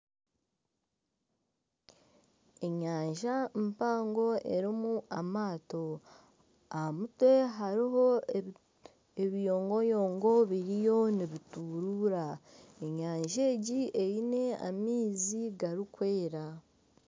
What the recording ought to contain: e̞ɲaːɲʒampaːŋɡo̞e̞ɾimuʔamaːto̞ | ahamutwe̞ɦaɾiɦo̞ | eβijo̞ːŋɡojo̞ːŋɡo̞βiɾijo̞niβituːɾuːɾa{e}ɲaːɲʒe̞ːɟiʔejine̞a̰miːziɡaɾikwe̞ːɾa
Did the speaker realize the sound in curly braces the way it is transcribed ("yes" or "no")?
yes